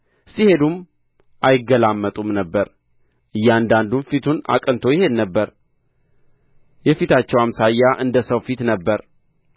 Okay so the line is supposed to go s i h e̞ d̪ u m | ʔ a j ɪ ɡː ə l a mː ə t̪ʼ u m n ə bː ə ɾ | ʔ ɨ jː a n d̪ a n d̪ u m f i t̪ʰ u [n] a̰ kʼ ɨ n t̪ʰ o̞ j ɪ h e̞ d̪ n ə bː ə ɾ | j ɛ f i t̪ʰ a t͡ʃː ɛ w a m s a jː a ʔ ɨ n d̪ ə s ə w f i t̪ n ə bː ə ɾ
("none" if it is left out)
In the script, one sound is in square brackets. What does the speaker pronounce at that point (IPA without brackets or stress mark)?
n